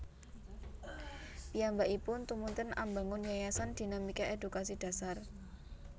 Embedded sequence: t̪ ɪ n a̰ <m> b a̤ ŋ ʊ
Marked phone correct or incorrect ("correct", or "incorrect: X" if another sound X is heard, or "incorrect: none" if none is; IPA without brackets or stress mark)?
correct